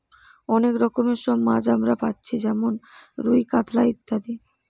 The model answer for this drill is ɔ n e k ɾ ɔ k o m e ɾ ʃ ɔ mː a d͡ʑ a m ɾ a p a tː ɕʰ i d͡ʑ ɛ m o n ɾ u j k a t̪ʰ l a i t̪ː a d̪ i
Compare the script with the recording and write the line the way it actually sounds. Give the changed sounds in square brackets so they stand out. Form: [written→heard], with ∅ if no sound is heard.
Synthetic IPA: ɔ n e k ɾ ɔ k o m e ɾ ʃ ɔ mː a d͡ʑ a m ɾ a p a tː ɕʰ i d͡ʑ ɛ m o n ɾ u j k a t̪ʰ l a i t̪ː a d̪ i